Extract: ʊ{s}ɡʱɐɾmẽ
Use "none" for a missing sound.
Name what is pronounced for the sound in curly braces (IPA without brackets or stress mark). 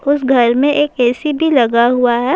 s